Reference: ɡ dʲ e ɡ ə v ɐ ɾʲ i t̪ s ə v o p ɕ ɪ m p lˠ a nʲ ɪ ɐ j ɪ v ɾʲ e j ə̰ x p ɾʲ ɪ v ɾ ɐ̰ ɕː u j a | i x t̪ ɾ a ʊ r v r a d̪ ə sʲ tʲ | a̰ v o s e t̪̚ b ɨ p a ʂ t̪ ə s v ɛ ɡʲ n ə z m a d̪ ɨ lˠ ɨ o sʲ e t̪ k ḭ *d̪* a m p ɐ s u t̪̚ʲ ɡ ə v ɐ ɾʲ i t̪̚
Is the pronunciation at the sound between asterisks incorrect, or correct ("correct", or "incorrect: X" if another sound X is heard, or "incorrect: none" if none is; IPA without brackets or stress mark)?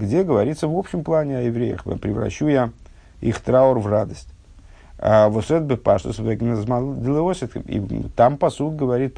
incorrect: t̪